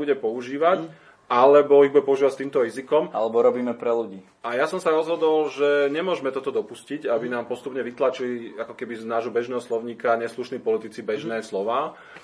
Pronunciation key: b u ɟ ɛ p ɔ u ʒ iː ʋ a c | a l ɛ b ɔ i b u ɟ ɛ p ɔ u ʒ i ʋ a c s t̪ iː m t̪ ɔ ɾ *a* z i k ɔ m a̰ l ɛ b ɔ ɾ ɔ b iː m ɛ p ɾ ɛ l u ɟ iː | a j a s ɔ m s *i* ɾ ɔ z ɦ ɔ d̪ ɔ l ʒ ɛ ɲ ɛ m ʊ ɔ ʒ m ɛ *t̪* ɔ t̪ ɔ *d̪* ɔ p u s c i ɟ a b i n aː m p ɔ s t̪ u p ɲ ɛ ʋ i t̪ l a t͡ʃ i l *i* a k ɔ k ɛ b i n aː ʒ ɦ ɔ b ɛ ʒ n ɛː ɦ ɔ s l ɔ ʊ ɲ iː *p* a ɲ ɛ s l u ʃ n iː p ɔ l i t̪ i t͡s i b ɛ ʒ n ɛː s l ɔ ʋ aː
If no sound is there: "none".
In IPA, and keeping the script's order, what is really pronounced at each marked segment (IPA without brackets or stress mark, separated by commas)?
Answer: i, a, t̪, d̪, i, k